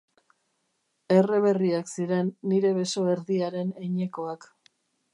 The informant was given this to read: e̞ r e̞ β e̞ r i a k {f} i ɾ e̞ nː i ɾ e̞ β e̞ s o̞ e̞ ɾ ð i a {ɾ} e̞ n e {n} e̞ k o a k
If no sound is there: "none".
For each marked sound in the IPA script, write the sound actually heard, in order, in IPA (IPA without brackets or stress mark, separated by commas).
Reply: s, ɾ, ɲ